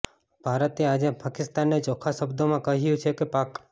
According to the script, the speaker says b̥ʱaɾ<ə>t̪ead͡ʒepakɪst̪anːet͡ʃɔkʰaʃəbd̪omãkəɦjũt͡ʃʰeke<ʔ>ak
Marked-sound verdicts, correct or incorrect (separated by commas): correct, incorrect